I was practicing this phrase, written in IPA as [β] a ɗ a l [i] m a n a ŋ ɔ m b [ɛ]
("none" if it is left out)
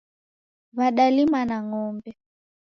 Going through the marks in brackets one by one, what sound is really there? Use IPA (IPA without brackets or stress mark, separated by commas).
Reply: β, i, ɛ